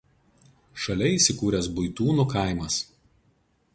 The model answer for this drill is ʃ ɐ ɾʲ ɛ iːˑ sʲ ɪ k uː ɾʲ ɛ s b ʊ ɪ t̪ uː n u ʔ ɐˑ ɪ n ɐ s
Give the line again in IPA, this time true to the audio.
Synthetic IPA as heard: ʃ ɐ lʲ ɛ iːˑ sʲ ɪ k uː ɾʲ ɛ s b ʊ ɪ t̪ uː n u k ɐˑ ɪ m ɐ s